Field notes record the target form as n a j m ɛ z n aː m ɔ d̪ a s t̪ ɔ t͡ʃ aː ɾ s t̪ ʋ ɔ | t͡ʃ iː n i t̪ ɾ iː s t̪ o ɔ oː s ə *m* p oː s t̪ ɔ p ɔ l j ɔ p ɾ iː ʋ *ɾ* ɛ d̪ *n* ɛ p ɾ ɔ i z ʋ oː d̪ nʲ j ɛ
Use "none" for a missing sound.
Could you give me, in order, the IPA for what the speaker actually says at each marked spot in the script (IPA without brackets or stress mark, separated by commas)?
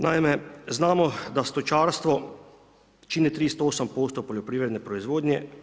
m, ɾ, n